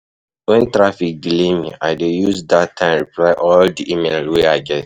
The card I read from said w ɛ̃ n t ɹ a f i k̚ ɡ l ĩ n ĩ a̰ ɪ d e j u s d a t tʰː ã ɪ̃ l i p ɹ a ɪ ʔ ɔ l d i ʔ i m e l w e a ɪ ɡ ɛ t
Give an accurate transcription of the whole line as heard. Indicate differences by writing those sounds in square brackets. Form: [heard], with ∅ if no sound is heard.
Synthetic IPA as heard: w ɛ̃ n t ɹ a f i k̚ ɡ l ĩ [m] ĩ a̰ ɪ d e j u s d a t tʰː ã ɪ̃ [ɹ] i p [l] a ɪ ʔ ɔ l d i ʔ i m e l w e a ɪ ɡ ɛ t